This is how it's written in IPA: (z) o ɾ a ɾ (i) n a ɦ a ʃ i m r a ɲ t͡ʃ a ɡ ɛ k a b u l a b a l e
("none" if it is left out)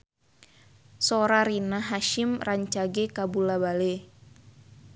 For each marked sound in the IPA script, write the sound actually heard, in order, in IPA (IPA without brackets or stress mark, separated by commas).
s, i